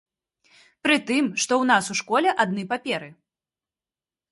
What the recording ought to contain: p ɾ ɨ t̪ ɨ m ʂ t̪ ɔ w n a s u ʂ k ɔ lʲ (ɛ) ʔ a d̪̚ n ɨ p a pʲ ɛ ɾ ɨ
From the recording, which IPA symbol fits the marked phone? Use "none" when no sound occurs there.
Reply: ɛ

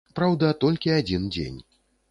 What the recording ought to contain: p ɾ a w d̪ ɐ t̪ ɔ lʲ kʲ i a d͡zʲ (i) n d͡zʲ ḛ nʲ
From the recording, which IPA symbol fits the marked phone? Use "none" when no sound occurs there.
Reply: i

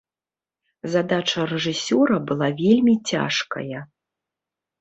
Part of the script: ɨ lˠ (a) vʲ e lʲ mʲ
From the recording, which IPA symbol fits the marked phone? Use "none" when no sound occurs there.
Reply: a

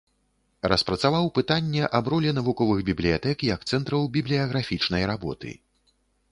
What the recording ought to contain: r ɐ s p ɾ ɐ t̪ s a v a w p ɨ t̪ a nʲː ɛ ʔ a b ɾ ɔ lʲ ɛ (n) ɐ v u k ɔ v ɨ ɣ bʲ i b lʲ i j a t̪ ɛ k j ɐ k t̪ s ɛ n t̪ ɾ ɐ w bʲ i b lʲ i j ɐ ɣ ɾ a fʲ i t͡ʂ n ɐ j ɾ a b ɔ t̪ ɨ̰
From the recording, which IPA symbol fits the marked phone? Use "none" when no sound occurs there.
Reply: n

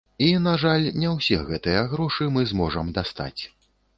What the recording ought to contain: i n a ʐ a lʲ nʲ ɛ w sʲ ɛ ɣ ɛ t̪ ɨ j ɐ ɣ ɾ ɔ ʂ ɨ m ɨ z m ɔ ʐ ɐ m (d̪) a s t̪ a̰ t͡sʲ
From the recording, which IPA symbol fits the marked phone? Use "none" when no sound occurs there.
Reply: d̪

